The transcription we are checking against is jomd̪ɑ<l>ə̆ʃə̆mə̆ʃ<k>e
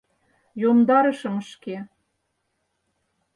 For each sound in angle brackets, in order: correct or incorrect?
incorrect: ɾ, correct

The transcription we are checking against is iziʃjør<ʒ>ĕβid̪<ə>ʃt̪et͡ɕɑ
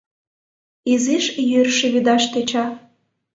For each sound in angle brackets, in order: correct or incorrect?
incorrect: ʃ, incorrect: ɑ

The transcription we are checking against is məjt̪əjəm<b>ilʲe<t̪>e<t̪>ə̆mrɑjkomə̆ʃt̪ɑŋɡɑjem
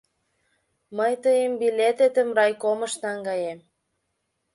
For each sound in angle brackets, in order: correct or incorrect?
correct, correct, correct

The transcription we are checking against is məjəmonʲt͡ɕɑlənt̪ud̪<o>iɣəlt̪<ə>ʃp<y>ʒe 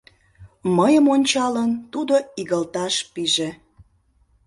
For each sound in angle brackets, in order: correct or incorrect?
correct, incorrect: ɑ, incorrect: i

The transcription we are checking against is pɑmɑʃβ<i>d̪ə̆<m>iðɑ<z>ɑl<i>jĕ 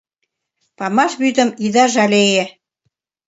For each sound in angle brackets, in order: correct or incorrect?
incorrect: y, correct, incorrect: ʒ, incorrect: e

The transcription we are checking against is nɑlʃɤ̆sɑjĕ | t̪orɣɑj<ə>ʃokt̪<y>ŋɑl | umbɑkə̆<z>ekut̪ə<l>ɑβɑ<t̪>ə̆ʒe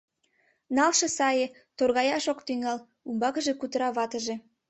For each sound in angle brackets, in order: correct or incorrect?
incorrect: ɑ, correct, incorrect: ʒ, incorrect: ɾ, correct

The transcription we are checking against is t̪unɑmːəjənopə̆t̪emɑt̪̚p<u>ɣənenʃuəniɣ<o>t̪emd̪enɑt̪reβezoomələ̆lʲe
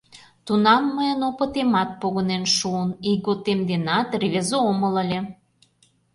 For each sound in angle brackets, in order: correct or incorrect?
incorrect: o, correct

